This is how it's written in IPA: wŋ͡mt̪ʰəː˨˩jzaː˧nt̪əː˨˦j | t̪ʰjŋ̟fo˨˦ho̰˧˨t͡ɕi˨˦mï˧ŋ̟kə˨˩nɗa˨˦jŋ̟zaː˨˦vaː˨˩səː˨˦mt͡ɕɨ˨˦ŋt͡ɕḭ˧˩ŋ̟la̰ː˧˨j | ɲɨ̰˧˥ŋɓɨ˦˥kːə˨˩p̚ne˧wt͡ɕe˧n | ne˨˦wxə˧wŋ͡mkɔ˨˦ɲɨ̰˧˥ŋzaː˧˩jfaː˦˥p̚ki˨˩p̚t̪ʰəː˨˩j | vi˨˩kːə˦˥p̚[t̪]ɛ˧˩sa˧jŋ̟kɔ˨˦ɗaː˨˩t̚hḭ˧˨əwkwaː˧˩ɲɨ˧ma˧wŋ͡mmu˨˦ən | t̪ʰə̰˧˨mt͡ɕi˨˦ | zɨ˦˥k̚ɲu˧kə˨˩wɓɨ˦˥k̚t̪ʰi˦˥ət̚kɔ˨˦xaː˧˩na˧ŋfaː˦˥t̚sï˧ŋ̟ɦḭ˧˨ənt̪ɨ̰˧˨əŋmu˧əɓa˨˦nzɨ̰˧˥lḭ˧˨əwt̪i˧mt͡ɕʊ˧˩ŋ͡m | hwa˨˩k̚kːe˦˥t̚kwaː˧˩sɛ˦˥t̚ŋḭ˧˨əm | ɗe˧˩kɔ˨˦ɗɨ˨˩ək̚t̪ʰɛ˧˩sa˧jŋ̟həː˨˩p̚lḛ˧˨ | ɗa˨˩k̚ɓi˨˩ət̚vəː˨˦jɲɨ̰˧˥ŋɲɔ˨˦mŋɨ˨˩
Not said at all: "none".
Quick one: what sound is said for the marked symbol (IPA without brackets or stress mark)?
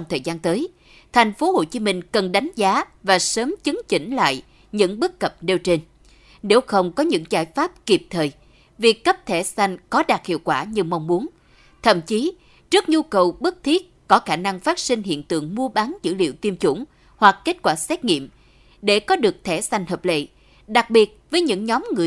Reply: t̪ʰ